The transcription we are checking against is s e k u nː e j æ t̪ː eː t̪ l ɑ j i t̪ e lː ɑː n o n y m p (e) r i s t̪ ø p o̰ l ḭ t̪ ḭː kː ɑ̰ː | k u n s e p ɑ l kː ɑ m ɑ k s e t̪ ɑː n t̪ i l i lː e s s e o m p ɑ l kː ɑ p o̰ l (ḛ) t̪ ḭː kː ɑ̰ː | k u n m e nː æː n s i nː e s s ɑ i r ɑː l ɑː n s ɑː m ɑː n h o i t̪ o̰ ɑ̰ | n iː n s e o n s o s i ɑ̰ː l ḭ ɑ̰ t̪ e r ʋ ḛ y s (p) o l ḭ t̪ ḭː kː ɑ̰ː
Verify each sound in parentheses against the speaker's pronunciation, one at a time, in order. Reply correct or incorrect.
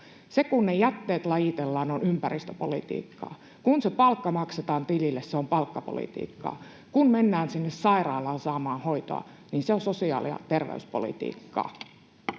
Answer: incorrect: æ, incorrect: ḭ, correct

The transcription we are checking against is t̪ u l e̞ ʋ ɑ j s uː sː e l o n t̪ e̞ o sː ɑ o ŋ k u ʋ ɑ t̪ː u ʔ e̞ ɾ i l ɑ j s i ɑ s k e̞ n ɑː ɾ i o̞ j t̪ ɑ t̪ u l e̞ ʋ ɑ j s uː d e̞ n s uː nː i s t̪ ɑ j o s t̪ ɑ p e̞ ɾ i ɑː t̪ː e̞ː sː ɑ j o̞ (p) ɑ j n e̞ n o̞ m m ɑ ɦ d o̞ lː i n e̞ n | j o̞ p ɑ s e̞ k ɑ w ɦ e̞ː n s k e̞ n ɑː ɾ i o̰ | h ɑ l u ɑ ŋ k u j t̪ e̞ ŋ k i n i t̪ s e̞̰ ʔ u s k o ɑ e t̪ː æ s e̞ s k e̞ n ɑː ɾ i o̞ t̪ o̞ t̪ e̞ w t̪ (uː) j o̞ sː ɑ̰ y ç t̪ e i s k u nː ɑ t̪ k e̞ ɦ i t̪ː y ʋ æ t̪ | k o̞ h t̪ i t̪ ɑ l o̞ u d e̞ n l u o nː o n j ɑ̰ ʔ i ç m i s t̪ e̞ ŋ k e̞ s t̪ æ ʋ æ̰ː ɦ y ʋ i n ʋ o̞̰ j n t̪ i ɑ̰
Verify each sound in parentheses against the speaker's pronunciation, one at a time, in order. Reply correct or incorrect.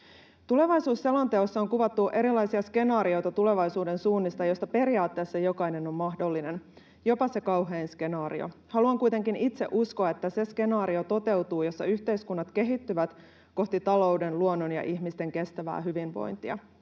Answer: incorrect: k, correct

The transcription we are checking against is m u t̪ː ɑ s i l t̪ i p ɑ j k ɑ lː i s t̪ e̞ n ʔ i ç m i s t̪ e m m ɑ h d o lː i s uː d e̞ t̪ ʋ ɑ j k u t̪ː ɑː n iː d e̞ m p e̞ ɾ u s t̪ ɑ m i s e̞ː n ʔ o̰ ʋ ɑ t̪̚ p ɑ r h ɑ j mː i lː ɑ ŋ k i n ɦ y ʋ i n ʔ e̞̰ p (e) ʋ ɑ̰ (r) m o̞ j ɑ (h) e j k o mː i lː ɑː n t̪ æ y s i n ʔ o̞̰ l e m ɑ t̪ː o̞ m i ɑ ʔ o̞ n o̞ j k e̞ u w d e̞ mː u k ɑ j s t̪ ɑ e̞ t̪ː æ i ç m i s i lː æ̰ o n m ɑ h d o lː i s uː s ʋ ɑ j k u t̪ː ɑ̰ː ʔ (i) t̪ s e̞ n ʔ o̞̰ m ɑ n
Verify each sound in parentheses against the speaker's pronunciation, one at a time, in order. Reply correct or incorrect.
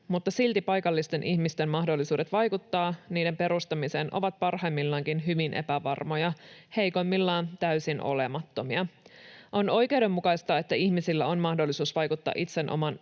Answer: incorrect: æ, correct, correct, correct

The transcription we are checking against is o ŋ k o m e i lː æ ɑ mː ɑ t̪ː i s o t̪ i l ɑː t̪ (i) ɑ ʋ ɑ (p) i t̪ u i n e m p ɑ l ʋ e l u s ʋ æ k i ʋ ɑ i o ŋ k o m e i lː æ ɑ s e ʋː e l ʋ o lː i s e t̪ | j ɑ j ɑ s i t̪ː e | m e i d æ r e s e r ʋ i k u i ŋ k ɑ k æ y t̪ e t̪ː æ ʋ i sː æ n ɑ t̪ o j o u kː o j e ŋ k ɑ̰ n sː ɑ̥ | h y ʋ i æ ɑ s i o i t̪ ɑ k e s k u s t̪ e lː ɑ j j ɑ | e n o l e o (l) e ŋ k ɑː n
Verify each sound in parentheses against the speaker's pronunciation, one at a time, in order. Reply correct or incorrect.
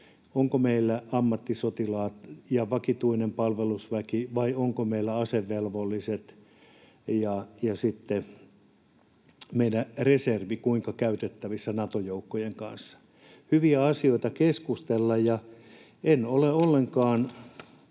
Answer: incorrect: j, incorrect: k, incorrect: lː

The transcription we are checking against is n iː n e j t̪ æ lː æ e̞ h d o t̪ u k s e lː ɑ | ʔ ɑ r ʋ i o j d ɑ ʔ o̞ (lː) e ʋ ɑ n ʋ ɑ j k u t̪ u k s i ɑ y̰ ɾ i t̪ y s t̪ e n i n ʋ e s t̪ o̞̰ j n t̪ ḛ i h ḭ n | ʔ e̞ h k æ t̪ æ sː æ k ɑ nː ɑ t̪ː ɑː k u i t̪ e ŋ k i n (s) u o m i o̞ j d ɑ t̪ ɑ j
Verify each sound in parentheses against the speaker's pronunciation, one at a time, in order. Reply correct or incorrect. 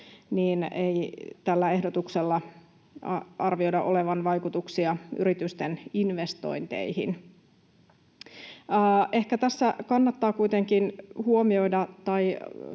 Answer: incorrect: l, incorrect: h

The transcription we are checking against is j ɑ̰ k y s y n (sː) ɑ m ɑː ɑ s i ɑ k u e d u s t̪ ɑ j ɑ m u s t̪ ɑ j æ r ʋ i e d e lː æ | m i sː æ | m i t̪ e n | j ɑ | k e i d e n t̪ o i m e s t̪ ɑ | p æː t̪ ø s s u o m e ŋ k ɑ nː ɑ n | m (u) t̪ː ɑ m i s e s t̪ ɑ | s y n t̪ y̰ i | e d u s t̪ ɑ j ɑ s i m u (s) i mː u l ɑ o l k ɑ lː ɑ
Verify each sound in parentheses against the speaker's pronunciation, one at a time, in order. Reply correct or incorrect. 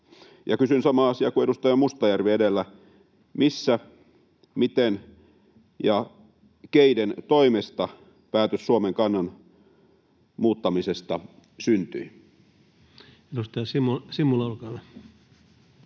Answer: incorrect: s, incorrect: uː, correct

